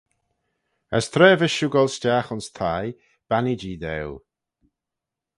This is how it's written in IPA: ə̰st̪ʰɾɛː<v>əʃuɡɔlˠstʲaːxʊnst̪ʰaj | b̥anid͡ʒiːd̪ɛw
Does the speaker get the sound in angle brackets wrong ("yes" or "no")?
no